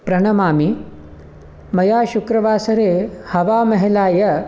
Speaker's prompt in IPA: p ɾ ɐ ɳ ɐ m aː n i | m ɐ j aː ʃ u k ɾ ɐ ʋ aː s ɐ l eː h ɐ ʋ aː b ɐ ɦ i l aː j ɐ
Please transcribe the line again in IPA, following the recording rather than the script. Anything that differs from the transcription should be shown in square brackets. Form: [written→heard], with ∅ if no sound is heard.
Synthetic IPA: p ɾ ɐ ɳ ɐ m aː [n→m] i | m ɐ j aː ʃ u k ɾ ɐ ʋ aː s ɐ [l→ɾ] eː h ɐ ʋ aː [b→m] ɐ ɦ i l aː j ɐ